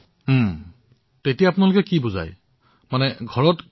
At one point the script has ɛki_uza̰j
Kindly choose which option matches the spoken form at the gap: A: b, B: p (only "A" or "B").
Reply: A